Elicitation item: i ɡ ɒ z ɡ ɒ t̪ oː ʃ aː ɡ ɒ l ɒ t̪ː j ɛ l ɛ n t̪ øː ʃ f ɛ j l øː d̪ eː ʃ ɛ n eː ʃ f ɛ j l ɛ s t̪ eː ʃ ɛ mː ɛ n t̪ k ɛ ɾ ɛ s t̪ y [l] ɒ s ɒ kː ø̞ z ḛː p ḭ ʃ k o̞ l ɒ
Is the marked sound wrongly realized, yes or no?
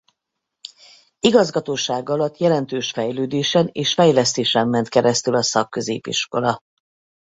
no